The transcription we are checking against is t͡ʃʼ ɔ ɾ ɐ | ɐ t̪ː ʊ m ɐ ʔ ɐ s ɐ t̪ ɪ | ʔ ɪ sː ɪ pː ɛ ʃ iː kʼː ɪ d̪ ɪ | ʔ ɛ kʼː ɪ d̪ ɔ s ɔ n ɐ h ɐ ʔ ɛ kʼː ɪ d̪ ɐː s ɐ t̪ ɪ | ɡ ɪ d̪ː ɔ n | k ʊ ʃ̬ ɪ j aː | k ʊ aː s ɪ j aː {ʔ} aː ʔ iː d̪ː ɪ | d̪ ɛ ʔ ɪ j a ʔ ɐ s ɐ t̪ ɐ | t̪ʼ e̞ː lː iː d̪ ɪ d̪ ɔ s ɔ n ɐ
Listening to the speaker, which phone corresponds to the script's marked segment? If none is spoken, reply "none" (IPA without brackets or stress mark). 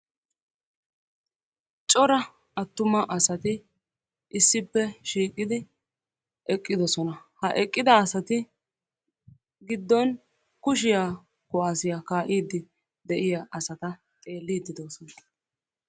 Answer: k